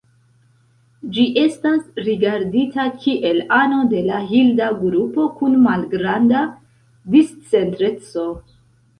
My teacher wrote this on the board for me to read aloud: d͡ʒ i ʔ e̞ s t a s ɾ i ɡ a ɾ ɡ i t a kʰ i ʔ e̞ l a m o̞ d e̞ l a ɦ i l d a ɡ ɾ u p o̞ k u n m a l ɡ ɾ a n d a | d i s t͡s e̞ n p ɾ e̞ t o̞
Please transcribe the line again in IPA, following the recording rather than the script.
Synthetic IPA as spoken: d͡ʒ i ʔ e̞ s t a s ɾ i ɡ a ɾ d i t a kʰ i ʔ e̞ l a n o̞ d e̞ l a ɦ i l d a ɡ ɾ u p o̞ k u n m a l ɡ ɾ a n d a | d i s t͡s e̞ n t ɾ e̞ t͡s o̞